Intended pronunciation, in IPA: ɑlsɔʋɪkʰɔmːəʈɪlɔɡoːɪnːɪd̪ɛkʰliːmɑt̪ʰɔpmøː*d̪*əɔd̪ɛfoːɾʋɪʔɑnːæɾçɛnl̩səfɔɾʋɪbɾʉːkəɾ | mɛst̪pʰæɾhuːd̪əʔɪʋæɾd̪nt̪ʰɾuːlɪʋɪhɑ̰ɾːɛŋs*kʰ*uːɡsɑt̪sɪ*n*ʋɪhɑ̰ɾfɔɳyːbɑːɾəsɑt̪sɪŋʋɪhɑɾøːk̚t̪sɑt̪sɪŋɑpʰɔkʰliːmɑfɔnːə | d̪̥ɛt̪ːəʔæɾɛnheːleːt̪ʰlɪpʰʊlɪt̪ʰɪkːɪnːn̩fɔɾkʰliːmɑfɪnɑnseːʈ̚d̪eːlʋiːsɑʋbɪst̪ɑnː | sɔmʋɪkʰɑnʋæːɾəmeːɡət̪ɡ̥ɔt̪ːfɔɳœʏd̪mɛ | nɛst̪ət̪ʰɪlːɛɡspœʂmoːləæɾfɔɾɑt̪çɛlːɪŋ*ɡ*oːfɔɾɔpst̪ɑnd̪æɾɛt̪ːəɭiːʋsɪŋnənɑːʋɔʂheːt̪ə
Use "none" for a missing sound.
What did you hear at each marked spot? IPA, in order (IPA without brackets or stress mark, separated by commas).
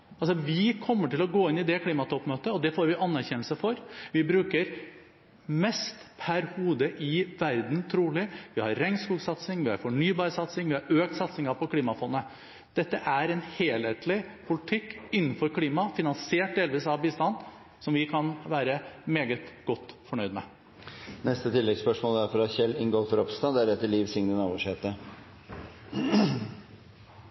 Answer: t̪, k, ŋ, ɡ